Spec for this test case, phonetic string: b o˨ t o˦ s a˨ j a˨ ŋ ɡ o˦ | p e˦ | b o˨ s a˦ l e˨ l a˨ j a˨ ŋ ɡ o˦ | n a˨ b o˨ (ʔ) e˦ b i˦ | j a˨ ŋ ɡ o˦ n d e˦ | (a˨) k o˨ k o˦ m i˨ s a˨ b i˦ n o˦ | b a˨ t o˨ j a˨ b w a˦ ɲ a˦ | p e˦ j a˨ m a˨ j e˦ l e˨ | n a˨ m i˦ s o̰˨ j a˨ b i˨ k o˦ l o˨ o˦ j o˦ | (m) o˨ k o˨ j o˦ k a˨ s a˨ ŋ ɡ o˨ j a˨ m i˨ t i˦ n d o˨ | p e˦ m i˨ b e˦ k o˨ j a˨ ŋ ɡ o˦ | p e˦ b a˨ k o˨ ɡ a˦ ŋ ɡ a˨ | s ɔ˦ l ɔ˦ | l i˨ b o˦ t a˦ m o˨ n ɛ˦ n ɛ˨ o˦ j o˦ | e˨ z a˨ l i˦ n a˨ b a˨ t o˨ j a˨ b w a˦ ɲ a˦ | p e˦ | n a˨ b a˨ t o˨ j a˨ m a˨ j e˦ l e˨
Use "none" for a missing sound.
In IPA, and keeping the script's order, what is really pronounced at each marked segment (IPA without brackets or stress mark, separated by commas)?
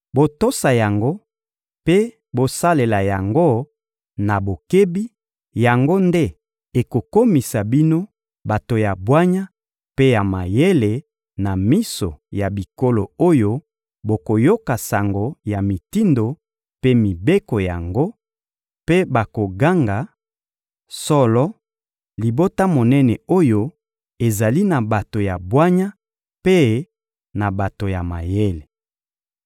k, e˨, b